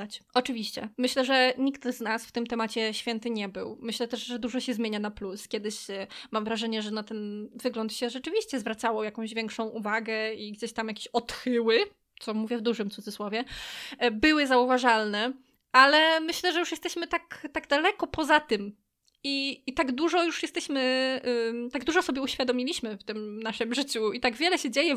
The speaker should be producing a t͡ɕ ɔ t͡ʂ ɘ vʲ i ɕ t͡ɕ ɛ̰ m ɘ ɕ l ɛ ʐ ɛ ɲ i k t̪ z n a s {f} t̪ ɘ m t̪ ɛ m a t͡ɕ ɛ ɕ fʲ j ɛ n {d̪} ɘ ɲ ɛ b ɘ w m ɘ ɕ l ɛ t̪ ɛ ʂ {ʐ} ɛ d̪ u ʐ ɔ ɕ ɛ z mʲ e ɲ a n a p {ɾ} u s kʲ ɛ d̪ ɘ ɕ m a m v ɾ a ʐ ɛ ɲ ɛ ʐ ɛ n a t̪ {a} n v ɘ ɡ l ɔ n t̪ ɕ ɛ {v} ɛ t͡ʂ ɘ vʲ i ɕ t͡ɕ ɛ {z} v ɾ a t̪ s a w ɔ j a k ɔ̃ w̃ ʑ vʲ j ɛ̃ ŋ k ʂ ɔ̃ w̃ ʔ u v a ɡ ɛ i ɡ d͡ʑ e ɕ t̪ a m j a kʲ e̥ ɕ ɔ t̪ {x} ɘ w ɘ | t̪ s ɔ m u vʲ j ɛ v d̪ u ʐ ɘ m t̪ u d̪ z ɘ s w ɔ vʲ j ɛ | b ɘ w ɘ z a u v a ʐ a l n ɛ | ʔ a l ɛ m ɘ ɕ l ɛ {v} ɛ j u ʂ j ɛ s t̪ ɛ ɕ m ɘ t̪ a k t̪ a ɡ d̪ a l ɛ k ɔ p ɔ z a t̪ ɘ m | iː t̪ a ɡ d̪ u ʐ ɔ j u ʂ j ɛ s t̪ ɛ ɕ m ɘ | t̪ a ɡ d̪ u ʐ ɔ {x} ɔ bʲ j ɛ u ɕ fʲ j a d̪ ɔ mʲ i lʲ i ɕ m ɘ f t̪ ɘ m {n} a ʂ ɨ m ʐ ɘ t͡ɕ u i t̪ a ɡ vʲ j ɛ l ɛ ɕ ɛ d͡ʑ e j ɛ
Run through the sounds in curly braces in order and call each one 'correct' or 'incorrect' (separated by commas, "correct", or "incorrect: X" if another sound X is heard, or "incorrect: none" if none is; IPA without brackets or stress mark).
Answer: correct, incorrect: t̪, correct, incorrect: l, incorrect: ɛ, incorrect: ʐ, correct, correct, incorrect: ʐ, incorrect: s, correct